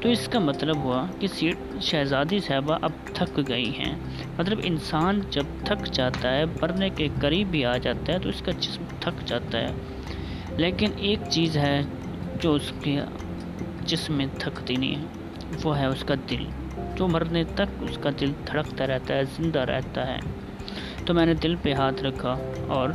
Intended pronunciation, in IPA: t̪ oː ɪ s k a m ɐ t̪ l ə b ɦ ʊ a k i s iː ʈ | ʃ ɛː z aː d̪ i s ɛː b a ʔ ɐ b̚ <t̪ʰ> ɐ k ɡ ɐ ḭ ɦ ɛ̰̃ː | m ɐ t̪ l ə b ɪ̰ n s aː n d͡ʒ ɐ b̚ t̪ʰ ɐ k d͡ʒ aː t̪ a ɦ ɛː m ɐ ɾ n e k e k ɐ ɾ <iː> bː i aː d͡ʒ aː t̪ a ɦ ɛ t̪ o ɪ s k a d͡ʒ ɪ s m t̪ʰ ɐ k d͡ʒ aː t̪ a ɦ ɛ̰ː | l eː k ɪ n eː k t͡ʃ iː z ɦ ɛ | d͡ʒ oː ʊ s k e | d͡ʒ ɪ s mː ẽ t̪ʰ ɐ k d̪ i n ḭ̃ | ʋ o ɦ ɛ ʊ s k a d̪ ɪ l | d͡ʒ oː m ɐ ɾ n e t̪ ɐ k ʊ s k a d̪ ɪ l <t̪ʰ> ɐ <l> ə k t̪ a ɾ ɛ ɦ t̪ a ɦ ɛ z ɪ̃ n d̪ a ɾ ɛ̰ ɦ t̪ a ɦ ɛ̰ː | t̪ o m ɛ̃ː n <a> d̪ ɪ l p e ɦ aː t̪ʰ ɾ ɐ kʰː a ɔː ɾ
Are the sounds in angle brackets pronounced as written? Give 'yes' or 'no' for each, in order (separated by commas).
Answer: yes, yes, yes, no, no